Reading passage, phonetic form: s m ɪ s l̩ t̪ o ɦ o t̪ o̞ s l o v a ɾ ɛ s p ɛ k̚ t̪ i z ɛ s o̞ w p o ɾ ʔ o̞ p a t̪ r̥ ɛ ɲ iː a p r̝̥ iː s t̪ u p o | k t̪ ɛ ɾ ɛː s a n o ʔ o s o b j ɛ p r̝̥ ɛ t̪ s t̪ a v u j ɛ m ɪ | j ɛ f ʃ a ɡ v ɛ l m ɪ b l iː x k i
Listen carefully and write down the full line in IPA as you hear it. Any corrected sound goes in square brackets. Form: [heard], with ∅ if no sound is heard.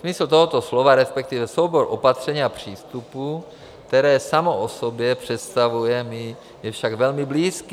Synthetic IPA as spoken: s m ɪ s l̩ t̪ o ɦ o t̪ o̞ s l o v a ɾ ɛ s p ɛ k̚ t̪ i [v] ɛ s o̞ w [b] o ɾ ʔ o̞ p a t̪ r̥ ɛ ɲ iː a p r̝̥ iː s t̪ u p [u] | k t̪ ɛ ɾ ɛː s a [m] o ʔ o s o b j ɛ p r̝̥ ɛ t̪ s t̪ a v u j ɛ m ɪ | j ɛ f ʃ a ɡ v ɛ l m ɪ b l iː [s] k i

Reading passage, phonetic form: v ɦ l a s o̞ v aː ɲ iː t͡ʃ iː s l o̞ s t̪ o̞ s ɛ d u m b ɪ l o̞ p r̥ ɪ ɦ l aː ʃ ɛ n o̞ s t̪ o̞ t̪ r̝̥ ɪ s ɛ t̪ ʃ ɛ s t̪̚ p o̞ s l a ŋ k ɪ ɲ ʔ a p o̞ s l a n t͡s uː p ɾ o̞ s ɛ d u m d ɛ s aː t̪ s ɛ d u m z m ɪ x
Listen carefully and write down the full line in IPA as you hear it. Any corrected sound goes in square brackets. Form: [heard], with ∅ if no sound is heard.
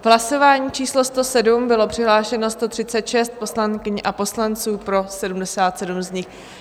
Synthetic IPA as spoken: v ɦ l a s o̞ v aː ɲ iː t͡ʃ iː s l o̞ s t̪ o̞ s ɛ d u m b ɪ l o̞ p r̥ ɪ ɦ l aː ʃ ɛ n o̞ s t̪ o̞ t̪ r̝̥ ɪ [t͡s] ɛ t̪ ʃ ɛ s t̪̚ p o̞ s l a ŋ k ɪ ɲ ʔ a p o̞ s l a n t͡s uː p ɾ o̞ s ɛ d u m d ɛ s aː t̪ s ɛ d u m z [ɲ] ɪ x

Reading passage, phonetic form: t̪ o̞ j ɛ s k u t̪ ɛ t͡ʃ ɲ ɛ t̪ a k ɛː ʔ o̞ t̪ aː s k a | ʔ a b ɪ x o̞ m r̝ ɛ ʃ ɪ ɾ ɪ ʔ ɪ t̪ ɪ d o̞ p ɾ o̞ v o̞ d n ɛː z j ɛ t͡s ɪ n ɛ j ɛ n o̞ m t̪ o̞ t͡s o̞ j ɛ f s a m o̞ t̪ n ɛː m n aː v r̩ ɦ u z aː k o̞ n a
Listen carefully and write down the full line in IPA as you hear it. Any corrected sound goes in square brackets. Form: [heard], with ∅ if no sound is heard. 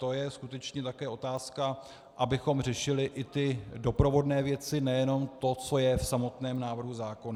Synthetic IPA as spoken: t̪ o̞ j ɛ s k u t̪ ɛ t͡ʃ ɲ ɛ t̪ a k ɛː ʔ o̞ t̪ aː s k a | ʔ a b ɪ x o̞ m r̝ ɛ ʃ ɪ [l] ɪ ʔ ɪ t̪ ɪ d o̞ p ɾ o̞ v o̞ d n ɛː [v] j ɛ t͡s ɪ n ɛ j ɛ n o̞ m t̪ o̞ t͡s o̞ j ɛ f s a m o̞ t̪ n ɛː m n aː v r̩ ɦ u z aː k o̞ n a

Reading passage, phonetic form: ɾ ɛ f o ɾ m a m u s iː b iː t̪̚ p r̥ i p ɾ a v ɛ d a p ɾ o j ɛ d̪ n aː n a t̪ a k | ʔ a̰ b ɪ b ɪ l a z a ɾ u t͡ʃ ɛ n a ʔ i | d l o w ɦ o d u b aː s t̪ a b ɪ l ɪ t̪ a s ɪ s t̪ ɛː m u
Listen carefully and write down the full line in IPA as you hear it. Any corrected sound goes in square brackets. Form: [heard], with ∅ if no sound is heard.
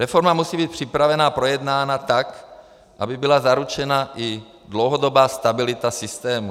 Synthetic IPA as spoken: ɾ ɛ f o ɾ m a m u s iː b iː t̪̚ p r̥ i p ɾ a v ɛ [n] a p ɾ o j ɛ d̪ n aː n a t̪ a k | ʔ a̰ b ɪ b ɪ l a z a ɾ u t͡ʃ ɛ n a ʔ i | d l o w ɦ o d [o] b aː s t̪ a b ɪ l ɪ t̪ a s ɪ s t̪ ɛː m u

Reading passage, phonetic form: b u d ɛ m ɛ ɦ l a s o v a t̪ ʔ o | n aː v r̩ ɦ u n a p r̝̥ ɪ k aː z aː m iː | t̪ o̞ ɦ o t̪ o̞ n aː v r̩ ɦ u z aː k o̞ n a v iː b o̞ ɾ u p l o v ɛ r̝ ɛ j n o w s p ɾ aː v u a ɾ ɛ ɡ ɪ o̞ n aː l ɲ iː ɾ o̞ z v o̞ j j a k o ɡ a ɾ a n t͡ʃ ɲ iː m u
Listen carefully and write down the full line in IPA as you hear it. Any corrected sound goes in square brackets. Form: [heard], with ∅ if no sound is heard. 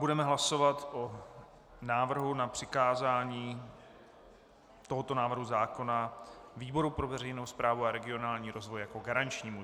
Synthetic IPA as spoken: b u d ɛ m ɛ ɦ l a s o v a t̪ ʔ o | n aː v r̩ ɦ u n a p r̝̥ ɪ k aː z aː [ɲ] iː | t̪ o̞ ɦ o t̪ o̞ n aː v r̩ ɦ u z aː k o̞ n a v iː b o̞ ɾ u p [ɾ] o v ɛ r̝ ɛ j n o w s p ɾ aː v u a ɾ ɛ ɡ ɪ o̞ n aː l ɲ iː ɾ o̞ z v o̞ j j a k o ɡ a ɾ a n t͡ʃ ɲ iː m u

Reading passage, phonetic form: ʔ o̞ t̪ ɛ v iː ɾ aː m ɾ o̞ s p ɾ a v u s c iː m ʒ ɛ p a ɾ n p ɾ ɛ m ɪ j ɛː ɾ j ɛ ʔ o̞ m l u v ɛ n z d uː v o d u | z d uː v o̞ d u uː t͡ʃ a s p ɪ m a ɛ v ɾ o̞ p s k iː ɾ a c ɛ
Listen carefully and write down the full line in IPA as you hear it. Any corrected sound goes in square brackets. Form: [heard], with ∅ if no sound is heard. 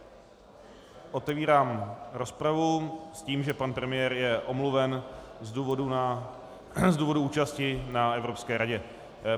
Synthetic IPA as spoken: ʔ o̞ t̪ ɛ v iː ɾ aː m ɾ o̞ s p ɾ a v u s c iː m ʒ ɛ p a [∅] n p ɾ ɛ m ɪ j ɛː ɾ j ɛ ʔ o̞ m l u v ɛ n z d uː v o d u | z d uː v o̞ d u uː t͡ʃ a s [c] ɪ [n] a ɛ v ɾ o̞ p s k [ɛː] ɾ a [ɟ] ɛ

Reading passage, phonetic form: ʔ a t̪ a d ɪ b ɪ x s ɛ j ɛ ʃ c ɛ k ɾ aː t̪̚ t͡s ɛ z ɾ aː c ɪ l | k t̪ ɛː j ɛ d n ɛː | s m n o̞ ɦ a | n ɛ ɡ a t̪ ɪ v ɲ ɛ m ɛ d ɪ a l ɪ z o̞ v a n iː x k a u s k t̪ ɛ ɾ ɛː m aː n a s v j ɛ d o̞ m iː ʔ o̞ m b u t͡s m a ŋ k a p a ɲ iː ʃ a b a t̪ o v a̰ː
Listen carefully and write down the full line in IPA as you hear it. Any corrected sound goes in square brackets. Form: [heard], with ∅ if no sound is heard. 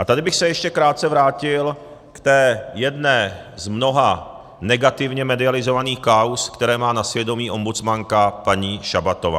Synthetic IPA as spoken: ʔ a t̪ a d ɪ b ɪ x s ɛ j ɛ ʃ c ɛ k ɾ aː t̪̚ t͡s ɛ [v] ɾ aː c ɪ l | k t̪ ɛː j ɛ d n ɛː | [z] m n o̞ ɦ a | n ɛ ɡ a t̪ ɪ v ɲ ɛ m ɛ d ɪ a l ɪ z o̞ v a n iː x k a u s k t̪ ɛ ɾ ɛː m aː n a s v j ɛ d o̞ m iː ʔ o̞ m b u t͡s m a ŋ k a p a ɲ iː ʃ a b a t̪ o v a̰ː

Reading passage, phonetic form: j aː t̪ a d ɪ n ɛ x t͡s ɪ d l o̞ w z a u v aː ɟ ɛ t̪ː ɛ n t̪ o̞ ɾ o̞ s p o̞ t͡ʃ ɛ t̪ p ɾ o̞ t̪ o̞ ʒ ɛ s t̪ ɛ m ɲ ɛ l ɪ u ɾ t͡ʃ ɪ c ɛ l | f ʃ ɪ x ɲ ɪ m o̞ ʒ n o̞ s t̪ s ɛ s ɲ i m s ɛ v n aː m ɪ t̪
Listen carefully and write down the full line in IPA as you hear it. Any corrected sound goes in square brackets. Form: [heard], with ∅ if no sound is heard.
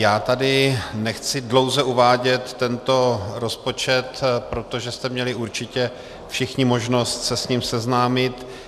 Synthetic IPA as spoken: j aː t̪ a d ɪ n ɛ x t͡s ɪ d l o̞ w z [ɛ] u v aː ɟ ɛ t̪ː ɛ n t̪ o̞ ɾ o̞ s p o̞ t͡ʃ ɛ t̪ p ɾ o̞ t̪ o̞ ʒ ɛ s t̪ ɛ m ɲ ɛ l ɪ u ɾ t͡ʃ ɪ c ɛ [∅] | f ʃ ɪ x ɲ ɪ m o̞ ʒ n o̞ s t̪ s ɛ s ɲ i m s ɛ [z] n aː m ɪ t̪

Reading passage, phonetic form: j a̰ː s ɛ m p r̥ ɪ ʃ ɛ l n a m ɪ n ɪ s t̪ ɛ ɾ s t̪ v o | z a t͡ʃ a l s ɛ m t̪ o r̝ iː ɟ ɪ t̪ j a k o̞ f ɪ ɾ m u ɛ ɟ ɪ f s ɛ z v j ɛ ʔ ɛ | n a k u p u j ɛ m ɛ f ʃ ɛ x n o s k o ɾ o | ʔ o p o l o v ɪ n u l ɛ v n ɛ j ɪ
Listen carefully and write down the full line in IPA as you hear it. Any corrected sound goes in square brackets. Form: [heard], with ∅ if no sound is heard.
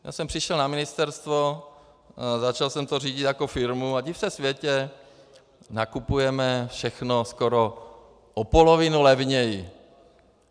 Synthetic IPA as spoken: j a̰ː s ɛ m p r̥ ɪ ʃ ɛ l n a m ɪ n ɪ s t̪ ɛ ɾ s t̪ v o | z a t͡ʃ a l s ɛ m t̪ o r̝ iː ɟ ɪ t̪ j a k o̞ f ɪ ɾ m u [a] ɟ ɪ f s ɛ [s] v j ɛ [c] ɛ | n a k u p u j ɛ m ɛ f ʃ ɛ x n o s k o ɾ o | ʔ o p o l o v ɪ n u l ɛ v [ɲ] ɛ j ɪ

